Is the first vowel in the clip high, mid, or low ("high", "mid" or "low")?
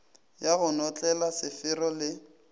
low